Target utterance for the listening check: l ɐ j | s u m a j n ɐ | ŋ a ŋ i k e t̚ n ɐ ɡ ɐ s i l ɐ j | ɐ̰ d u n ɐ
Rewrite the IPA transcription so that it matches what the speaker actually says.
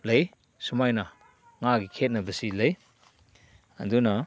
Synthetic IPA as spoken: l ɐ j | s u m a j n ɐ | ŋ a ɡ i kʰ e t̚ n ɐ b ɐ s i l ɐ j | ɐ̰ d u n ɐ